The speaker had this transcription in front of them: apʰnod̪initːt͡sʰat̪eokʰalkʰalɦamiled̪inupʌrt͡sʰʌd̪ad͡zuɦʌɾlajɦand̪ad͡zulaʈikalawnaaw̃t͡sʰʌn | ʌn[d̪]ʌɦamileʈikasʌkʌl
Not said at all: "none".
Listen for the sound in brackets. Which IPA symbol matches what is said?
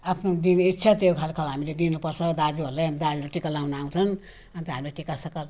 t̪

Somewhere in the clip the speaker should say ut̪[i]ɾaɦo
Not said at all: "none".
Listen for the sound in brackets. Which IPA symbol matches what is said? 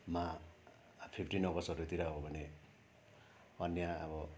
i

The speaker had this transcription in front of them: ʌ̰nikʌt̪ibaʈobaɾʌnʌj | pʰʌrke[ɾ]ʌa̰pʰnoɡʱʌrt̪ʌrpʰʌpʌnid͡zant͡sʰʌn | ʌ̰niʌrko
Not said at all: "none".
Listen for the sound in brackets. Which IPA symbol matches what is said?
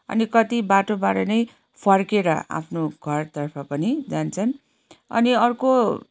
ɾ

